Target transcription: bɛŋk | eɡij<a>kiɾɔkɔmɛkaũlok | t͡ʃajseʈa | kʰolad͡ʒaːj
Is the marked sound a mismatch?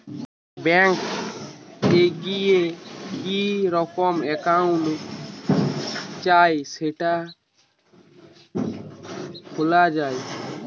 yes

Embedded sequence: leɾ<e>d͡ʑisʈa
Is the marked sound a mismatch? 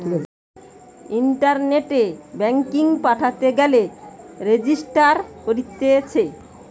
no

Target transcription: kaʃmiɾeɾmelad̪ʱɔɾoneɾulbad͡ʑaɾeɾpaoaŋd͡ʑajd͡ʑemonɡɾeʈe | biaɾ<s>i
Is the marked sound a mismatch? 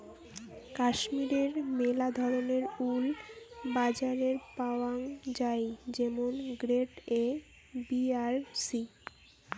no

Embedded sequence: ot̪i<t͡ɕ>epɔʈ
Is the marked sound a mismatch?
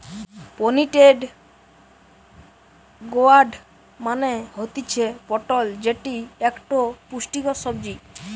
yes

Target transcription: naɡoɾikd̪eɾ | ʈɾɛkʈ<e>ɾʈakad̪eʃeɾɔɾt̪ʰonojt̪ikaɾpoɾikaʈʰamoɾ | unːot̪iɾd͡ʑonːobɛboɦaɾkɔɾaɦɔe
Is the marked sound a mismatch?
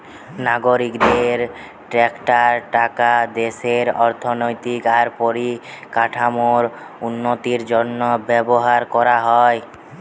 yes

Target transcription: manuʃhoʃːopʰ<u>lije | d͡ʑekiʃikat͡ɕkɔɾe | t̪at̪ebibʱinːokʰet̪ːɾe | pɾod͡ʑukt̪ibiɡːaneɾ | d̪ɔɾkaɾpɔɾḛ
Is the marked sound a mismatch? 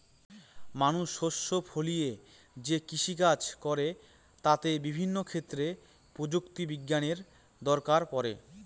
yes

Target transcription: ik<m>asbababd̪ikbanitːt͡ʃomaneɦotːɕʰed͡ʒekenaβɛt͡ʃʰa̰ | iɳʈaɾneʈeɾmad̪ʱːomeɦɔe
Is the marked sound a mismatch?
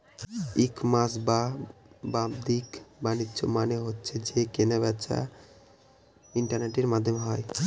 no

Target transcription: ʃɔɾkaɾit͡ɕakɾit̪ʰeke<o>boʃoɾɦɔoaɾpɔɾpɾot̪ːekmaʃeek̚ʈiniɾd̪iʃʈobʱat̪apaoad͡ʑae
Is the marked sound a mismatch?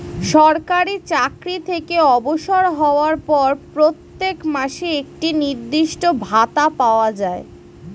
yes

